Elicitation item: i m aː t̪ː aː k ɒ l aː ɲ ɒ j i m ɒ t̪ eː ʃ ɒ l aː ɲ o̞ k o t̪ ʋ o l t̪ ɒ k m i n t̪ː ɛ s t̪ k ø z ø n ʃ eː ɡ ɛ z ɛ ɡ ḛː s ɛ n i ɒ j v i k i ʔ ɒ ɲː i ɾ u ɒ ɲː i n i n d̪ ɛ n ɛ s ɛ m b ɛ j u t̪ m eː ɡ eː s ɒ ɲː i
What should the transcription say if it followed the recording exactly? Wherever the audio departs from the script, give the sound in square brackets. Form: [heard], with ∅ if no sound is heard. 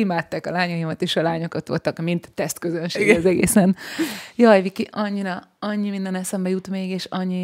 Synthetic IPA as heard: i m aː t̪ː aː k ɒ l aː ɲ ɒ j i m ɒ t̪ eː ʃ ɒ l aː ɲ o̞ k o t̪ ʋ o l t̪ ɒ k m i n t̪ː ɛ s t̪ k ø z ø n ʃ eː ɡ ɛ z ɛ ɡ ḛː s ɛ n [j] ɒ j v i k i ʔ ɒ ɲː i ɾ [ɒ] ɒ ɲː i [m] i n d̪ ɛ n ɛ s ɛ m b ɛ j u t̪ m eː ɡ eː [ʃ] ɒ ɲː i